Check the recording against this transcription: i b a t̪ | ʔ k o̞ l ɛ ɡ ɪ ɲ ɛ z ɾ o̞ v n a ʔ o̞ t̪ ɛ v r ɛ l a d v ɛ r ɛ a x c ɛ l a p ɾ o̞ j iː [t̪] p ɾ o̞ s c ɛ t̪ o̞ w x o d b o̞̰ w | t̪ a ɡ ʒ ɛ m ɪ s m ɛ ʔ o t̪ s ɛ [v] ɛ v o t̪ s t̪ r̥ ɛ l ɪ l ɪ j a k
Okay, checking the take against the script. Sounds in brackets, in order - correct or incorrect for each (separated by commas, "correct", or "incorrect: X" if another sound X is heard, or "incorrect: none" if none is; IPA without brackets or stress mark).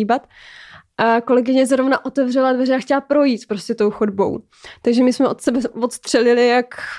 correct, incorrect: b